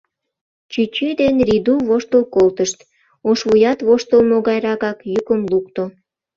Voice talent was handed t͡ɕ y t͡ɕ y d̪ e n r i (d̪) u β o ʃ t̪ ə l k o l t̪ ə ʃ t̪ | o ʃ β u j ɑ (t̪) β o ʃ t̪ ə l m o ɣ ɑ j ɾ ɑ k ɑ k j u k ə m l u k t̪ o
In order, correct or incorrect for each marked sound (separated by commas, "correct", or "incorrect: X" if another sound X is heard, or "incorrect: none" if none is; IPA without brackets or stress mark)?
correct, correct